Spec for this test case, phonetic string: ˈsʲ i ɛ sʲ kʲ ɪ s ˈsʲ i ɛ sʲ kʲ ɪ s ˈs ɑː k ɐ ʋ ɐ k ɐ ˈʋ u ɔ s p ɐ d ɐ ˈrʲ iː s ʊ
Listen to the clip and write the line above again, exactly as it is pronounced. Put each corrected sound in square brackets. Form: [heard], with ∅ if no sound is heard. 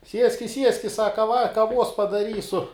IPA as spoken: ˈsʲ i ɛ sʲ kʲ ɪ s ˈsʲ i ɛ sʲ kʲ ɪ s ˈs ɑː k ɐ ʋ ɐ k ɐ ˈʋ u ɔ s p ɐ d ɐ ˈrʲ iː s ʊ